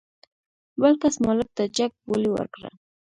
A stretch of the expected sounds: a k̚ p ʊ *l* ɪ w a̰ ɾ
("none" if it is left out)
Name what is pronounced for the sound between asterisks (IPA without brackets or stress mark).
l